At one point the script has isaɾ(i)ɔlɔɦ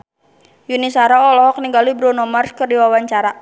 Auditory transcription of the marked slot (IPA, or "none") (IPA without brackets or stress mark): a